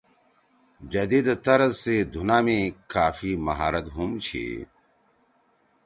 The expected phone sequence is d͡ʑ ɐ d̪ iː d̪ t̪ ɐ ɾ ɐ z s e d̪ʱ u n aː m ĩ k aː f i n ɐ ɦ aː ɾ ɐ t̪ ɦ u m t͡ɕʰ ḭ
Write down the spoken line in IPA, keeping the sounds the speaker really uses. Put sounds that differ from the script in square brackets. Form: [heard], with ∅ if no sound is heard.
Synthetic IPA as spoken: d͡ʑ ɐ d̪ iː d̪ t̪ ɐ ɾ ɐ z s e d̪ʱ u n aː m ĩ k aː f i [m] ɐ ɦ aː ɾ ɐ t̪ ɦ u m t͡ɕʰ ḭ